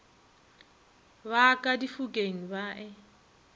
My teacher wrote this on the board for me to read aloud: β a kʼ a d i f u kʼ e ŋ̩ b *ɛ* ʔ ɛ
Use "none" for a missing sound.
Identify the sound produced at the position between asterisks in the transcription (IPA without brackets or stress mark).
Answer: a